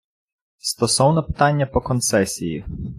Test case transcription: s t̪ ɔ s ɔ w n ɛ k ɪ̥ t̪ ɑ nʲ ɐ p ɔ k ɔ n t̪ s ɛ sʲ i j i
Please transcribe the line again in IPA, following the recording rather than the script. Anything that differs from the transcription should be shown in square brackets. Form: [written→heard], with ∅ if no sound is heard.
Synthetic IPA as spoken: s t̪ ɔ s ɔ w n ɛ [k→p] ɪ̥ t̪ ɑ [nʲ→nʲː] ɐ p ɔ k ɔ n t̪ s ɛ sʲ i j i